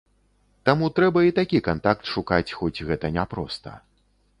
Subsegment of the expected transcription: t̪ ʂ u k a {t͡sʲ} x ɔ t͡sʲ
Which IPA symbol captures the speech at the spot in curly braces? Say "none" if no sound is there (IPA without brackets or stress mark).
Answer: t͡sʲ